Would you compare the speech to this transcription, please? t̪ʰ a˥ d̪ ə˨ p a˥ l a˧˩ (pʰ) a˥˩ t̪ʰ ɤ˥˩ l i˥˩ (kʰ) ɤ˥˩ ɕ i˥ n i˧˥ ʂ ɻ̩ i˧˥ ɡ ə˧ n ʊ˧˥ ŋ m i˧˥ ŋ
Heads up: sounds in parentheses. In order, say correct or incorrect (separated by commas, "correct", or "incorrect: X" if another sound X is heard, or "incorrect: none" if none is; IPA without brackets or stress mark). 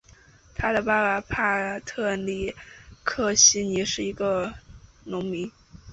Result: correct, correct